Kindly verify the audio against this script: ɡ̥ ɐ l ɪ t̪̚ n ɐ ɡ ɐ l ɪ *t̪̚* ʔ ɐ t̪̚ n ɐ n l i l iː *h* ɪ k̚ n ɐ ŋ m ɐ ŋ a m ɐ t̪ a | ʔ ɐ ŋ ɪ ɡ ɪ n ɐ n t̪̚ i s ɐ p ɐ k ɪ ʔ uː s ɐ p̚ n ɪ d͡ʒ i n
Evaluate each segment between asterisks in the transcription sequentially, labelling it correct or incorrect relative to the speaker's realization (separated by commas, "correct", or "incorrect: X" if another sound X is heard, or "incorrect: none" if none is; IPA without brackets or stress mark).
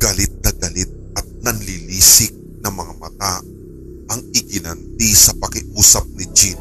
correct, incorrect: s